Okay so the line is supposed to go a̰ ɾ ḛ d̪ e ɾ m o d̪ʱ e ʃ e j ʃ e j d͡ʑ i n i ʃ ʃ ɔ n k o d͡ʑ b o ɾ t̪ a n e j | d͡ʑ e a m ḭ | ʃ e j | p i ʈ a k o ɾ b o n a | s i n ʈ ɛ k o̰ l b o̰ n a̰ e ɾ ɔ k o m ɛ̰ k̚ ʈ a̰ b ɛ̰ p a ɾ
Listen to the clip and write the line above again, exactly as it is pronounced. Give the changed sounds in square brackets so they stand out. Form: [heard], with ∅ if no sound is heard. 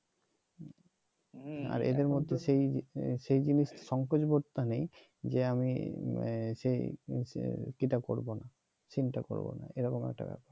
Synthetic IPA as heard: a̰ ɾ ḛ d̪ e ɾ m o [d̪ʱː] e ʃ e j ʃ e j d͡ʑ i n i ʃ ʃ ɔ [ŋ] k o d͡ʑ b o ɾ t̪ a n e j | d͡ʑ e a m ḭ | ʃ e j | [k] i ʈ a k o ɾ b o n a | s i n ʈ [a] k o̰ [ɾ] b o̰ n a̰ e ɾ ɔ k o m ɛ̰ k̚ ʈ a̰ b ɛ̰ p a ɾ

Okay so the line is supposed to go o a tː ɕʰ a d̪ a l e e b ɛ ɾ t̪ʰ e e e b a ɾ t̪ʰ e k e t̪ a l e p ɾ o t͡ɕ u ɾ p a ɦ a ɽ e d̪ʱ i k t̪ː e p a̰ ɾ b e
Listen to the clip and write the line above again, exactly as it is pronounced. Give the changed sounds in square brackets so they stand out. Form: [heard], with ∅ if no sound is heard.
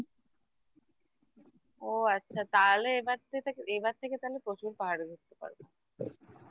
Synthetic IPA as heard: o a tː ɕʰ a [t̪] a l e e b [a] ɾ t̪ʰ e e e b a ɾ t̪ʰ e k e t̪ a l e p ɾ o t͡ɕ u ɾ p a ɦ a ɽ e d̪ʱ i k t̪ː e p a̰ ɾ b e

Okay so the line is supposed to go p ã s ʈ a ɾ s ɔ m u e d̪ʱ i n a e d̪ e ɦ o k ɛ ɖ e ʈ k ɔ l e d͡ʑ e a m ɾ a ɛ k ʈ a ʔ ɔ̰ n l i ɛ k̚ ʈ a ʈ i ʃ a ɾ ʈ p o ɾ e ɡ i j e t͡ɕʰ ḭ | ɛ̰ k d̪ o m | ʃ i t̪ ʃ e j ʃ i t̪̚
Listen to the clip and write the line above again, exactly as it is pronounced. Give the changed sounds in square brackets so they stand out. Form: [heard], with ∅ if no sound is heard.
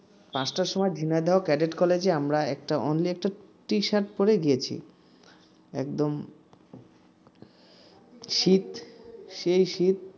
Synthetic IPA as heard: p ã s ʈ a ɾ [ʃ] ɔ m [ɔ] e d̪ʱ i n a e d̪ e ɦ o k ɛ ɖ e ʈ k ɔ l e d͡ʑ e a m ɾ a ɛ k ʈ a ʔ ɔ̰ n l i ɛ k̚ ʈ a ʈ i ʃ a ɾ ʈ p o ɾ e ɡ i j e t͡ɕʰ ḭ | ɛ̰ k d̪ o m | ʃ i t̪ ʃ e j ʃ i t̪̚

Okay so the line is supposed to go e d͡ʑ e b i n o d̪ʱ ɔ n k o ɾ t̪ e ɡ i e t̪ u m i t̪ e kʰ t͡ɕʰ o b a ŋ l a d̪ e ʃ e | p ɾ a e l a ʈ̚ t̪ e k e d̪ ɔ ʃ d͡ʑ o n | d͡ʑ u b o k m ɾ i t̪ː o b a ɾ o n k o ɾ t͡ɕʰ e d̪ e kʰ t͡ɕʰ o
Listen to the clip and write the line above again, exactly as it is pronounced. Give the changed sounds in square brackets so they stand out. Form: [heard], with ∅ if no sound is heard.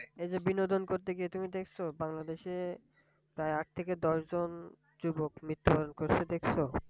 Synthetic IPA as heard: e d͡ʑ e b i n o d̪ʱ [o] n k o ɾ t̪ e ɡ i e t̪ u m i [d̪] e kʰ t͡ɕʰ o b a ŋ l a d̪ e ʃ e | p ɾ a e [∅] a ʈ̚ [t̪ʰ] e k e d̪ ɔ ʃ d͡ʑ o n | d͡ʑ u b o k m ɾ i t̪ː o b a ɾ o n k o ɾ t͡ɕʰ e d̪ e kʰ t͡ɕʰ o

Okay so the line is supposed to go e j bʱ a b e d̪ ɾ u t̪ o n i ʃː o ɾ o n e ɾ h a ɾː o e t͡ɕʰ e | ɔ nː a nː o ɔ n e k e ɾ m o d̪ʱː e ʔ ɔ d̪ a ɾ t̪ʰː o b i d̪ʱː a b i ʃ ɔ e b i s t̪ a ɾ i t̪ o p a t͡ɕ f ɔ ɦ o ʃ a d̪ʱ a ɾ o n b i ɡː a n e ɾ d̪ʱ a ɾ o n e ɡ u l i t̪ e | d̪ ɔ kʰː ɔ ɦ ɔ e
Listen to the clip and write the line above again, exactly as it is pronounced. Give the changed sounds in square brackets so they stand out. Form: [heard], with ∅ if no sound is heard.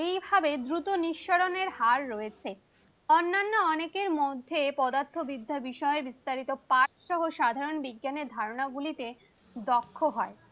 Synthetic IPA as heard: e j bʱ a b e d̪ ɾ u t̪ o n i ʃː o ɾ o n e ɾ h a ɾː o e t͡ɕʰ e | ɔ nː a nː o ɔ n e k e ɾ m o d̪ʱː e [p] ɔ d̪ a ɾ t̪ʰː o b i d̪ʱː a b i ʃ ɔ e b i s t̪ a ɾ i t̪ o p a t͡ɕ [ʃ] ɔ ɦ o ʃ a d̪ʱ a ɾ o n b i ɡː a n e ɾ d̪ʱ a ɾ o n [a] ɡ u l i t̪ e | d̪ ɔ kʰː [o] ɦ ɔ e

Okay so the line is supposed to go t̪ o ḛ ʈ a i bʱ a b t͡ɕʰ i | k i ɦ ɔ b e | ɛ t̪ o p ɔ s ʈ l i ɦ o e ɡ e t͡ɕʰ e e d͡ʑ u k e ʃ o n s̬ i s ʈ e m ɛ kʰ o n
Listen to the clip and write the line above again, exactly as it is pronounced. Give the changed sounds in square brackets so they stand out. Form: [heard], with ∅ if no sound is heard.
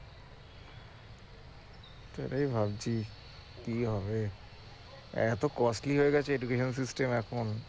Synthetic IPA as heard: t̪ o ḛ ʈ a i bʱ a b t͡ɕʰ i | k i ɦ ɔ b e | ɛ t̪ o [k] ɔ s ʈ l i ɦ o e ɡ [ɛ] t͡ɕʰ e e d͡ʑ u k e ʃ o n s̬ i s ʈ e m ɛ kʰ o n

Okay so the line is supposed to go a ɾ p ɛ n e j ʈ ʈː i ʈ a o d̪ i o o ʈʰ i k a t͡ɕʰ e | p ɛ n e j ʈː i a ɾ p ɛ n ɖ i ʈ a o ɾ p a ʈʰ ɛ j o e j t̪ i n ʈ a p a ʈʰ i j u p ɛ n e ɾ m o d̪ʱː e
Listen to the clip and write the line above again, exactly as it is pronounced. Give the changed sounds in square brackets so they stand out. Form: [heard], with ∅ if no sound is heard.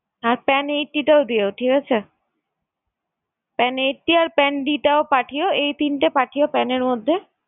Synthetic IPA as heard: a ɾ p ɛ n e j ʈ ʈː i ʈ a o d̪ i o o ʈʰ i k a t͡ɕʰ e | p ɛ n e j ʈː i a ɾ p ɛ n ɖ i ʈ a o [∅] p a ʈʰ [i] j o e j t̪ i n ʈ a p a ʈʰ i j [o] p ɛ n e ɾ m o d̪ʱː e

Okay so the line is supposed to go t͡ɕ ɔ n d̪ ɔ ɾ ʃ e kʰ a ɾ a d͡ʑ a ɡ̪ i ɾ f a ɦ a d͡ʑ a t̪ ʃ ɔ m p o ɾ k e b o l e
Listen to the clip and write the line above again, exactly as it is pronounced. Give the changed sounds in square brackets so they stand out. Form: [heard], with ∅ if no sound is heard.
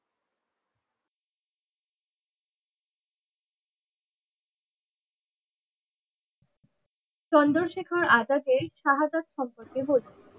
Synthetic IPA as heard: t͡ɕ ɔ n d̪ [o] ɾ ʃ e kʰ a ɾ a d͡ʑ a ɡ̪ [e] ɾ [ʃ] a ɦ a d͡ʑ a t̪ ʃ ɔ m p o ɾ k e b o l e

